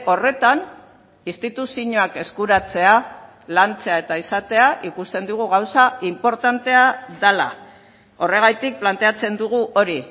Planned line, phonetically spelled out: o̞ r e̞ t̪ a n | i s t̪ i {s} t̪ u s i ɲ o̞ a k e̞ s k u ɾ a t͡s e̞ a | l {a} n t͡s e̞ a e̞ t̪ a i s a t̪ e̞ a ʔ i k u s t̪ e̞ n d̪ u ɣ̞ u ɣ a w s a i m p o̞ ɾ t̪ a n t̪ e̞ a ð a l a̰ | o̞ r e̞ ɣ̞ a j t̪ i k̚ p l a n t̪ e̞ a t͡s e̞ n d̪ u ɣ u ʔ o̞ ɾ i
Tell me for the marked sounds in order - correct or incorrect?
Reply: incorrect: none, correct

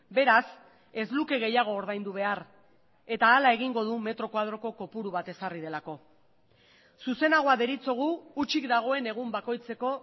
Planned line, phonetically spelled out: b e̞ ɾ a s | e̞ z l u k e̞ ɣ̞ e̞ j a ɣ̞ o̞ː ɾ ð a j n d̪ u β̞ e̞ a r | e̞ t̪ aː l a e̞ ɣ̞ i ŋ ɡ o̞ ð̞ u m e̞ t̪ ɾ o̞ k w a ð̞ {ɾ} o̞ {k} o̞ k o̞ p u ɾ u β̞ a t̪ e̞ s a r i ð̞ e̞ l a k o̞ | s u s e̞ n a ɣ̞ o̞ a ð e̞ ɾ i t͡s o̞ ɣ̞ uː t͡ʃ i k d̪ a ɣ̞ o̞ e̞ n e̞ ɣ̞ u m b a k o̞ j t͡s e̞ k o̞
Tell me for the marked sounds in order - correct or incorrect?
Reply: correct, correct

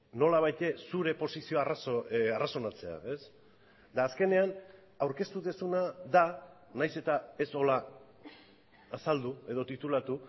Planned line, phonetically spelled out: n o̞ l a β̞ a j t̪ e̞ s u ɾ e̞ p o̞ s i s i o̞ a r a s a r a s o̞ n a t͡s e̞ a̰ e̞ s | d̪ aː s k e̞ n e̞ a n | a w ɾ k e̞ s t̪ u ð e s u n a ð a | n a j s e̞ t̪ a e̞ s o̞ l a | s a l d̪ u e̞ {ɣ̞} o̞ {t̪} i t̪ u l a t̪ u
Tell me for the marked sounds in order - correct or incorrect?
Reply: incorrect: ð̞, correct

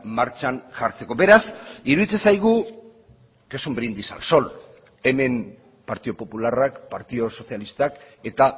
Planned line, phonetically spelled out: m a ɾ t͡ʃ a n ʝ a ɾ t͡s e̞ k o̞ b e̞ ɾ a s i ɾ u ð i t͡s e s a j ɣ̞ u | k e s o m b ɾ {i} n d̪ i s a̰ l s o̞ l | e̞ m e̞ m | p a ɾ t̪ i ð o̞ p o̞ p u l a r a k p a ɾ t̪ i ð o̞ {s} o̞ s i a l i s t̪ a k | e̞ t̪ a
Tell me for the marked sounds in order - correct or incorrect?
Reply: correct, correct

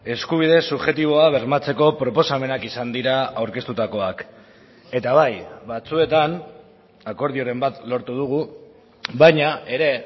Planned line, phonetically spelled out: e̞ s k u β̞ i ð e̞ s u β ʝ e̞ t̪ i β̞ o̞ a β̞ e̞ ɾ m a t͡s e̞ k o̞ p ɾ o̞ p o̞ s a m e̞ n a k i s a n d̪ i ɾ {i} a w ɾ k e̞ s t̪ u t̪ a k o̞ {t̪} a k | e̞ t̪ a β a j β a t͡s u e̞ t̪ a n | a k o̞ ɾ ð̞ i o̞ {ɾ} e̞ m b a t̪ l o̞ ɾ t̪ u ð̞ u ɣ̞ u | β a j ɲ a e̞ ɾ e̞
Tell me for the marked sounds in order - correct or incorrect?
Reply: incorrect: a, incorrect: none, correct

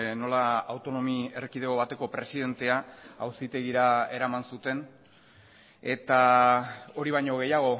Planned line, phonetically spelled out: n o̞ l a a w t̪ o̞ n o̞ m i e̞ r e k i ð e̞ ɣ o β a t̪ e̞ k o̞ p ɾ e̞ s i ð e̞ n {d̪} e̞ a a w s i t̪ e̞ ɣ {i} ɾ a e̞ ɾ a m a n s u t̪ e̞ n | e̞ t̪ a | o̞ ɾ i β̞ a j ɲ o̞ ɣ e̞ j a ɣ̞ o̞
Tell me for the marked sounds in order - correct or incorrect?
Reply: incorrect: t̪, correct

